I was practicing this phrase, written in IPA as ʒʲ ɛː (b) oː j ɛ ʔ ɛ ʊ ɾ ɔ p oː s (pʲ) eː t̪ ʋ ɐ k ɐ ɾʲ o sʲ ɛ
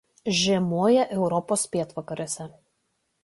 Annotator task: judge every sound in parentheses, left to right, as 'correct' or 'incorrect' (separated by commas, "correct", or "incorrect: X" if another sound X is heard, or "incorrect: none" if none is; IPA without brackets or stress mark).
incorrect: m, correct